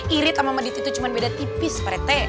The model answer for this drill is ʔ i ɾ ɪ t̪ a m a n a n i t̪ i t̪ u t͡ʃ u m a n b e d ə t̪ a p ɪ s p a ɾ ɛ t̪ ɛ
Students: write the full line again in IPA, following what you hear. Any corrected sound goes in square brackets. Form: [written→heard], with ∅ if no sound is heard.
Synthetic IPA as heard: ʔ i ɾ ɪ t̪ a m a [n→m] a [n→d] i t̪ i t̪ u t͡ʃ u m a n b e d [ə→a] t̪ [a→i] p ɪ s p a ɾ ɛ t̪ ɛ